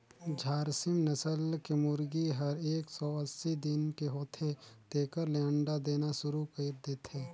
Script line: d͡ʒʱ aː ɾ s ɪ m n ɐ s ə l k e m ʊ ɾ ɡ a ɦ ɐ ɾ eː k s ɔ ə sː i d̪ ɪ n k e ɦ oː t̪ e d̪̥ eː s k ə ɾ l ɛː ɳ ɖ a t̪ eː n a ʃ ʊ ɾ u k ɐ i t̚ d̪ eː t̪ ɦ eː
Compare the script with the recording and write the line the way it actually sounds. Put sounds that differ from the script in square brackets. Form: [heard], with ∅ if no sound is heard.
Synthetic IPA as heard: d͡ʒʱ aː ɾ s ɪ m n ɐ s ə l k e m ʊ ɾ ɡ [i] ɦ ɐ ɾ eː k s ɔ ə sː i d̪ ɪ n k e ɦ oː [t̪ʰ] e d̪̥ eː [∅] k ə ɾ l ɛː ɳ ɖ a [d̪] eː n a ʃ ʊ ɾ u k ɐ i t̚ d̪ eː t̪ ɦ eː